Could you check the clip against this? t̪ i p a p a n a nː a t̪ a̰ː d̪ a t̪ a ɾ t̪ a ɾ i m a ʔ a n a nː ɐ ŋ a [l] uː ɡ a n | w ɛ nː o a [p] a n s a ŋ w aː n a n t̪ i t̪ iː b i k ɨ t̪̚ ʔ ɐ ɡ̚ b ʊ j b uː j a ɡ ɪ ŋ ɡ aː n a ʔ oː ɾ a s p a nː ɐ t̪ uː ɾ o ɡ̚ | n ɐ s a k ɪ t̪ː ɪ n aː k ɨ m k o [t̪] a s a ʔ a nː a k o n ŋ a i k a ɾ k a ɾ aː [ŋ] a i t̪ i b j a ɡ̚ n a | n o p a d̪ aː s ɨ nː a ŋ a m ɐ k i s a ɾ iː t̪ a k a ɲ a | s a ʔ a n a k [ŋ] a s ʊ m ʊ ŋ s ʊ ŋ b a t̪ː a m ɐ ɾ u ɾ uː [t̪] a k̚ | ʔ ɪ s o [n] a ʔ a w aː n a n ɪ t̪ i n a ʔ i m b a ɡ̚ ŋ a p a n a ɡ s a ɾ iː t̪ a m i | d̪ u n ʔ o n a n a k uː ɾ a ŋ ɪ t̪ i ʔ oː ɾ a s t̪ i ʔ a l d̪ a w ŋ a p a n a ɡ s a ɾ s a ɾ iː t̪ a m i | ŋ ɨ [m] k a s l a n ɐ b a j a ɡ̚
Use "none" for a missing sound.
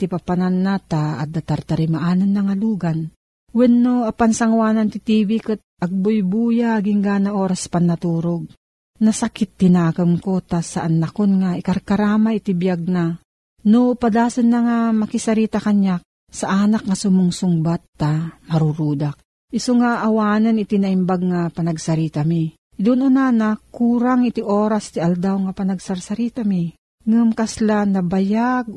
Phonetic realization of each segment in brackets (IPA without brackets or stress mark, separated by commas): l, p, t̪, m, ŋ, d̪, ŋ, m